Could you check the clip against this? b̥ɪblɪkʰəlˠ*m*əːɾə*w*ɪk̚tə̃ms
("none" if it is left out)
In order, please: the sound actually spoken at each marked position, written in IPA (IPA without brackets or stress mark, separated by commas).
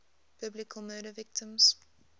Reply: m, v